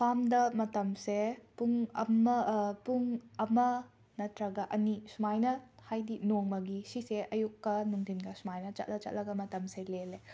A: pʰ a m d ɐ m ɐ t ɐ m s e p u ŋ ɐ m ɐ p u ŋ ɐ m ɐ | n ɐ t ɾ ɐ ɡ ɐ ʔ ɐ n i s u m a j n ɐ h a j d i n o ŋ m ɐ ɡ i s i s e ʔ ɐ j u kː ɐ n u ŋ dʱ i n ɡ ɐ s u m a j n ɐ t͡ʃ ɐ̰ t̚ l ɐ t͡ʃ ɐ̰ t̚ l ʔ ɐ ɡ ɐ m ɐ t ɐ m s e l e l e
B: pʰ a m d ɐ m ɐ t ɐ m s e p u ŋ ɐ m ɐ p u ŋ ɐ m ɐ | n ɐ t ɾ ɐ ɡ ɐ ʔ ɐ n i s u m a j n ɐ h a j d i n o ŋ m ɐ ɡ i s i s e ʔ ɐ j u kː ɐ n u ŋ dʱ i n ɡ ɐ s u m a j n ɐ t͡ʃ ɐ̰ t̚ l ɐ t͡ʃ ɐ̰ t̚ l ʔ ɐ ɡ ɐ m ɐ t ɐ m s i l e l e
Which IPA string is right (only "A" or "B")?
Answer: A